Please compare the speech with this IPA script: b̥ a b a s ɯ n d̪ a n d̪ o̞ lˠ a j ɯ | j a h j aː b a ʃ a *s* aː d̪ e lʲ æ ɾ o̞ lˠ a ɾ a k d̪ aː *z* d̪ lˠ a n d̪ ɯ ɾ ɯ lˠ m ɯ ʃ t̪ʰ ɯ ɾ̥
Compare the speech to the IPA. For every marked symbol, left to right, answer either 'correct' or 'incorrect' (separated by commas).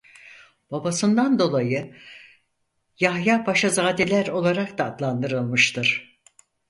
incorrect, incorrect